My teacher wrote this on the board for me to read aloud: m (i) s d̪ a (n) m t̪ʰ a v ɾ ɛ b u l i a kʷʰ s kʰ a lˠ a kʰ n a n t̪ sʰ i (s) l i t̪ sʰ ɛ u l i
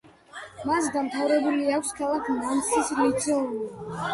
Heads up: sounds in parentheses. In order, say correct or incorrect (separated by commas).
incorrect, incorrect, correct